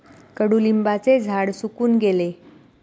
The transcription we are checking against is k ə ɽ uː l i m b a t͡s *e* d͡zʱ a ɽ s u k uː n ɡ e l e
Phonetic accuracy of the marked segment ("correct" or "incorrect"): correct